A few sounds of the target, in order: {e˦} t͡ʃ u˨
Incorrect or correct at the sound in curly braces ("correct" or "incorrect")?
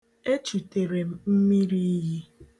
correct